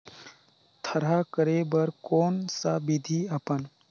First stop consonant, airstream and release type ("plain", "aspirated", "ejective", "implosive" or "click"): aspirated